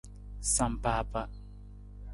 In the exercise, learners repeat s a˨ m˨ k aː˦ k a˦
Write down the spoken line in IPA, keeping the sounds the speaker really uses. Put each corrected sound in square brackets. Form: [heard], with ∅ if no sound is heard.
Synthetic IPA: s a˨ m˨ [p] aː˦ [p] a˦